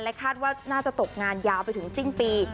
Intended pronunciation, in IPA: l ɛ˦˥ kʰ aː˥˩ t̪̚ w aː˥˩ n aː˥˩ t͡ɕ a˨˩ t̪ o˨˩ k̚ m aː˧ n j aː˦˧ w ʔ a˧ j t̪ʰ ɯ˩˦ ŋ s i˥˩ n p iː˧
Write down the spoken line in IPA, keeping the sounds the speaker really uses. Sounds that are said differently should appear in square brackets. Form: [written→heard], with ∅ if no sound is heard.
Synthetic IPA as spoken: l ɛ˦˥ kʰ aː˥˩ t̪̚ w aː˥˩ n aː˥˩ t͡ɕ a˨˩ t̪ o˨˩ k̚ [m→ŋ] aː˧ n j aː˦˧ w [ʔ→p] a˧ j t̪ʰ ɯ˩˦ ŋ s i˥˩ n p iː˧